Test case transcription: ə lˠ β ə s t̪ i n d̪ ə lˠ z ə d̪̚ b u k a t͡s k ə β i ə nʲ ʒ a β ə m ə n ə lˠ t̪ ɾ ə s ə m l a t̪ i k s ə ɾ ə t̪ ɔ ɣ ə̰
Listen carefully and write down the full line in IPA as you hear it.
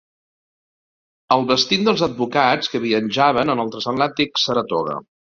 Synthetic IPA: ə lˠ β ə s t̪ i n d̪ ə lˠ z ə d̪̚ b u k a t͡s k ə β i ə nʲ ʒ a β ə n ə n ə lˠ t̪ ɾ ə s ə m l a t̪ i k s ə ɾ ə t̪ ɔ ɣ ə̰